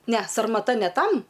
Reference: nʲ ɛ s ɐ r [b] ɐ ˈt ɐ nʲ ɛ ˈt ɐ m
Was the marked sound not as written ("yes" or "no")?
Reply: yes